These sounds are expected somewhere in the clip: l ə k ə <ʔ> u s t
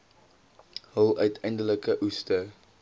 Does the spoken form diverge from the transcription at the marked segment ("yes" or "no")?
no